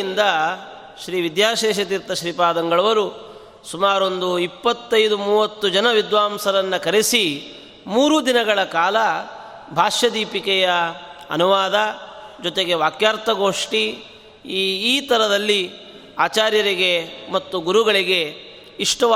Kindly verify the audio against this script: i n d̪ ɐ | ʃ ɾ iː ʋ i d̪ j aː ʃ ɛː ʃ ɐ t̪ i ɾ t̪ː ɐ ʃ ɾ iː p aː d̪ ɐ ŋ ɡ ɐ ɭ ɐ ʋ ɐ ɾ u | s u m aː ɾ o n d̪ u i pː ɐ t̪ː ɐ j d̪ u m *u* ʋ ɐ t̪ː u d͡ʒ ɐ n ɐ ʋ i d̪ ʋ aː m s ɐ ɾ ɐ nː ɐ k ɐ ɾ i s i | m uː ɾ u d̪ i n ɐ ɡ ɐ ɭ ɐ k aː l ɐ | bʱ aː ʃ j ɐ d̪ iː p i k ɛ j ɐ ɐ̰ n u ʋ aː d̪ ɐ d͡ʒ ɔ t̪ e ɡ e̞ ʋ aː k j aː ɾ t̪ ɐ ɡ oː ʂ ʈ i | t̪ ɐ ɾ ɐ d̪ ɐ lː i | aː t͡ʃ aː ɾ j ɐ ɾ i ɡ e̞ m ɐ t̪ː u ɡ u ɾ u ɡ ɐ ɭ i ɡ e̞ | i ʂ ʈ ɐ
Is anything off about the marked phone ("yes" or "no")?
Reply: yes